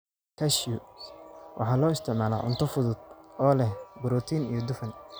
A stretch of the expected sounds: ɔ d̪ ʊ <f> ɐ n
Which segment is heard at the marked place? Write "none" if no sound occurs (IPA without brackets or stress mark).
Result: f